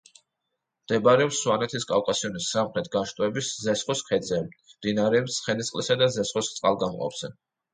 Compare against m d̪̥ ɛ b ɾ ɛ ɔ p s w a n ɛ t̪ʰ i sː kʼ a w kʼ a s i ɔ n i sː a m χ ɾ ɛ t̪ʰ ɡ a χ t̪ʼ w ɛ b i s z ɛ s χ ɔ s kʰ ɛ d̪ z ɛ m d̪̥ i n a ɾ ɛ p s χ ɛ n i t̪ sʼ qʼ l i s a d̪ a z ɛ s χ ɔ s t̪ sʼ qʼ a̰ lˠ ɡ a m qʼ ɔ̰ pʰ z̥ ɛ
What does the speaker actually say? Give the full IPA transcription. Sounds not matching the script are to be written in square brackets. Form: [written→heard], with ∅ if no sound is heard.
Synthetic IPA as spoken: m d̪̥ ɛ b ɾ ɛ ɔ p s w a n ɛ t̪ʰ i [sː→s] kʼ a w kʼ a s i ɔ n i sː a m χ ɾ ɛ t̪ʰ ɡ a [χ→ʃ] t̪ʼ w ɛ b i s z ɛ s χ ɔ s kʰ ɛ d̪ z ɛ m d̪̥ i n a ɾ ɛ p s χ ɛ n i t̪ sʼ qʼ l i s a d̪ a z ɛ s χ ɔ s t̪ sʼ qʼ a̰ lˠ ɡ a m qʼ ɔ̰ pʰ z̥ ɛ